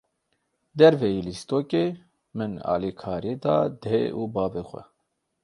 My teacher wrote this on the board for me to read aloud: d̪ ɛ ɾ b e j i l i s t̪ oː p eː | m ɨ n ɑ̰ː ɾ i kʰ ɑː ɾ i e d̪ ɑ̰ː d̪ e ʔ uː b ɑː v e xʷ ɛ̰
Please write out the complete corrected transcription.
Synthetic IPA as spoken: d̪ ɛ ɾ v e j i l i s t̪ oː k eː | m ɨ n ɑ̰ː l i kʰ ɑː ɾ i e d̪ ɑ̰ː d̪ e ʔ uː b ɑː v e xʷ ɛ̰